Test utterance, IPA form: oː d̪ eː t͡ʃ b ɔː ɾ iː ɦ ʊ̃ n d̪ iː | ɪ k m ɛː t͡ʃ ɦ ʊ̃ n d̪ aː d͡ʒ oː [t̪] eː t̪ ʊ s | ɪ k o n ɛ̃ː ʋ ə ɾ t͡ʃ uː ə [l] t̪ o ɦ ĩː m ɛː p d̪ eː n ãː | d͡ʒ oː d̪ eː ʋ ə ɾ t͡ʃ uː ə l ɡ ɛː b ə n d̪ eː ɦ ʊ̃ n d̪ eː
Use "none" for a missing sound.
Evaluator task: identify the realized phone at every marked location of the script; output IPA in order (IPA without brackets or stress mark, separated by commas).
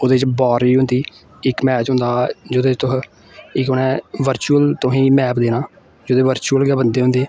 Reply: d̪, l